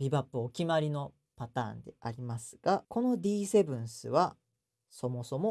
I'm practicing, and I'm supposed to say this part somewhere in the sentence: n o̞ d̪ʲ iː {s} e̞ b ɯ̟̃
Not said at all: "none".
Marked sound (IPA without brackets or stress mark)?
s